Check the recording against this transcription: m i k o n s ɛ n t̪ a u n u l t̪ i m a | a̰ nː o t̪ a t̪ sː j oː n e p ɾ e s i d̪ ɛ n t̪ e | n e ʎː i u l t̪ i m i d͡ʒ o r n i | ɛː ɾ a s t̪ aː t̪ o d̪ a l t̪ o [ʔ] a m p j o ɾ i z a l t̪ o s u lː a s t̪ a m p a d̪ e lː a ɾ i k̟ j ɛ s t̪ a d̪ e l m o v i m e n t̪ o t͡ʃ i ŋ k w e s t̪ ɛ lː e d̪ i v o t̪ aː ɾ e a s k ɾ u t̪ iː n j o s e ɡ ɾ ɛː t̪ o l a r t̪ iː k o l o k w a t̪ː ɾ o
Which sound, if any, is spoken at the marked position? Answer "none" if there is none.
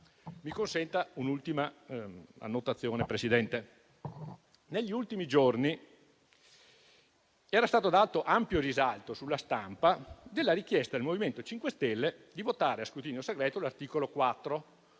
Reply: ʔ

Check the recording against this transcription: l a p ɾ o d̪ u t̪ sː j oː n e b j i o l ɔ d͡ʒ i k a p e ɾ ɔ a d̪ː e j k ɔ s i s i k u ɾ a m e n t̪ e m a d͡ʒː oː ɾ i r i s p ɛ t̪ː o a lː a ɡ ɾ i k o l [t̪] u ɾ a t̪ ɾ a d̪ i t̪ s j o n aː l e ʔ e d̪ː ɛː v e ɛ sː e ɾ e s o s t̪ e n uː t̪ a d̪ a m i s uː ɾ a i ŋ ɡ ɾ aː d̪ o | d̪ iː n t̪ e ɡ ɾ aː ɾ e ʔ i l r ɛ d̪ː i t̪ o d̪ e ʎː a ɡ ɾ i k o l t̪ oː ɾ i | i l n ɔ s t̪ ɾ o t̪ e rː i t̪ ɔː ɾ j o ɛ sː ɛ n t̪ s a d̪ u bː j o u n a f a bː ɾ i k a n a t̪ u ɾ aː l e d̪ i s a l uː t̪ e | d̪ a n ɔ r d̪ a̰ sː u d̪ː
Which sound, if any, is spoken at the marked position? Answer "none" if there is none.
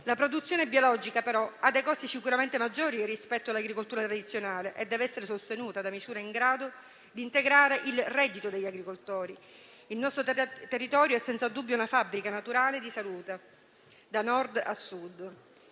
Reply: t̪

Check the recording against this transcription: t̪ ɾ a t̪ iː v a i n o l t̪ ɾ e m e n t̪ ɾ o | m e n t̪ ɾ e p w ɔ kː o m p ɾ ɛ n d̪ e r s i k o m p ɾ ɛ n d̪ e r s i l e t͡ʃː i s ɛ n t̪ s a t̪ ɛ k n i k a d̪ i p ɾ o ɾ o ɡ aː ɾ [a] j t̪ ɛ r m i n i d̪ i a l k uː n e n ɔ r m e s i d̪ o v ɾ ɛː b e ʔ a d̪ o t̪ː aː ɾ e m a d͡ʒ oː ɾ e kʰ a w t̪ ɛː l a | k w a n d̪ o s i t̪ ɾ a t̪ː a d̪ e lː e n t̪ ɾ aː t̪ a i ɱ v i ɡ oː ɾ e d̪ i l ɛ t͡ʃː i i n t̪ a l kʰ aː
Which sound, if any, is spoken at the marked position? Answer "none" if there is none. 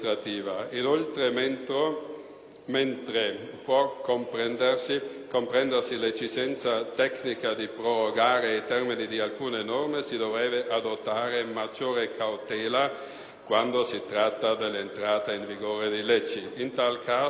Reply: e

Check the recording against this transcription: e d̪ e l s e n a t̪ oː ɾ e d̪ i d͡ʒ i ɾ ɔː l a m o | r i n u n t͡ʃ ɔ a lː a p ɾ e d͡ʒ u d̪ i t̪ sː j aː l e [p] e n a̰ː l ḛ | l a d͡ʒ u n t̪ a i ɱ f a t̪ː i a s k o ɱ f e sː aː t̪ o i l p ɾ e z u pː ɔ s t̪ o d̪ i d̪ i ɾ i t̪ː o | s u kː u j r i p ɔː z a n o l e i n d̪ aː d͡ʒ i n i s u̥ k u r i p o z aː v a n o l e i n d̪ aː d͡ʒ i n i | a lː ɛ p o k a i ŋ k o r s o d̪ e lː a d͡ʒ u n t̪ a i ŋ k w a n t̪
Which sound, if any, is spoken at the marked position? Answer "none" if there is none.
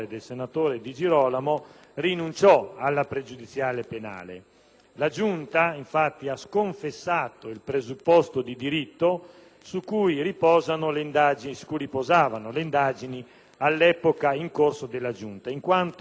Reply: p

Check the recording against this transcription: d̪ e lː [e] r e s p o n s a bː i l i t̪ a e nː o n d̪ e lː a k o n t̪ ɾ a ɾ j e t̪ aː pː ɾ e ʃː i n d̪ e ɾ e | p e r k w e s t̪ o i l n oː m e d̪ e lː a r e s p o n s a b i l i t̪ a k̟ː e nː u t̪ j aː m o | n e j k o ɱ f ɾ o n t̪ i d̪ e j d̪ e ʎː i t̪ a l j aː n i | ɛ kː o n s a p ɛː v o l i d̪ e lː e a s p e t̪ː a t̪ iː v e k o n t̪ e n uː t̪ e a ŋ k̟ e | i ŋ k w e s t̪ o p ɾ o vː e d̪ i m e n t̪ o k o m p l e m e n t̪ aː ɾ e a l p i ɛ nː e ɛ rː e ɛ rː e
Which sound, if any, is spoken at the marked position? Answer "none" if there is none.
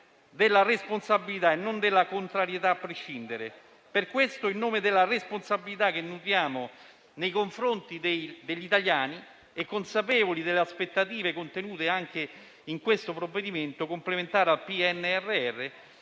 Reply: a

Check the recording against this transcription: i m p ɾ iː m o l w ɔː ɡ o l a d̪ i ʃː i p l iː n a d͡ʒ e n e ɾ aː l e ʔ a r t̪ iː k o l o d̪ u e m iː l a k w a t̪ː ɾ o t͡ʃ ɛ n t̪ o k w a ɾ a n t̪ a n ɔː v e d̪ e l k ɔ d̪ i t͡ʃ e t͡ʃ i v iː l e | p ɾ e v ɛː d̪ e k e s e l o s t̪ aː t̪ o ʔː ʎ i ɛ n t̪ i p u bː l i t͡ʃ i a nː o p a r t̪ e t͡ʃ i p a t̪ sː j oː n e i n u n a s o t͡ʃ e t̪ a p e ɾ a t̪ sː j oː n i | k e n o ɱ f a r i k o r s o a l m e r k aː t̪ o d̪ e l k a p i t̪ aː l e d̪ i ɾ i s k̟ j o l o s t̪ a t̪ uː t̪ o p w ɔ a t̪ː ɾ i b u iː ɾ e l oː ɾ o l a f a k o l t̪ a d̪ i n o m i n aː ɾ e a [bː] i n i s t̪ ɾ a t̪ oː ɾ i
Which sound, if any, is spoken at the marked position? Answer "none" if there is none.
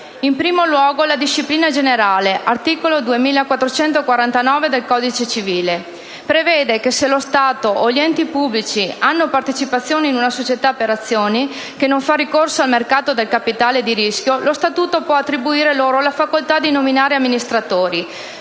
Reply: mː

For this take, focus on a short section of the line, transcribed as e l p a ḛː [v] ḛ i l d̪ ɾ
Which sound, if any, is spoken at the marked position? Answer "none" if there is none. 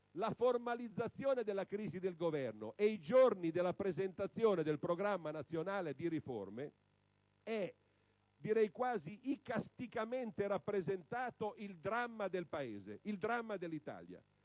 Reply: z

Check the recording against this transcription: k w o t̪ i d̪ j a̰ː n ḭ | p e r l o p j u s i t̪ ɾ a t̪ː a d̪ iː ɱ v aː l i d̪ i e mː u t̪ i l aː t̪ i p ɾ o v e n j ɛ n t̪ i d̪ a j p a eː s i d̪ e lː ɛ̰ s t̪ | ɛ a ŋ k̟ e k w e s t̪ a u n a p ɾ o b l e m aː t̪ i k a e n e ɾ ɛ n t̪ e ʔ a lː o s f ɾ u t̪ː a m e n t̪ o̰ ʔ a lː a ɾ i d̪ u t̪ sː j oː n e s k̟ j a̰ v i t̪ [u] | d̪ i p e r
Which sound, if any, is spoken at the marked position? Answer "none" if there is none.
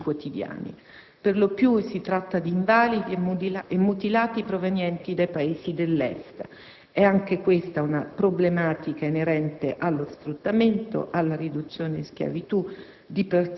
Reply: u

